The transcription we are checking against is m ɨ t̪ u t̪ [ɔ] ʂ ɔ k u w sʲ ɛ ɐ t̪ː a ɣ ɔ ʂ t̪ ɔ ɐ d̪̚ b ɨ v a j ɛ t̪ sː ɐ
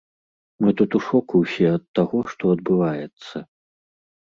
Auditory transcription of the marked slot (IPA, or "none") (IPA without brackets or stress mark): u